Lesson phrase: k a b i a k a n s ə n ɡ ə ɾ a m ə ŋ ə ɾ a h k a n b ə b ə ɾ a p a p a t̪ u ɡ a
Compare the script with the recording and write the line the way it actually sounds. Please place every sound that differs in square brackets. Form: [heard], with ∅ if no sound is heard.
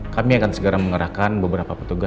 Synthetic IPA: k a [m] i a k a n s ə [∅] ɡ ə ɾ a m ə ŋ ə ɾ a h k a n b ə b ə ɾ a p a p [ə] t̪ u ɡ a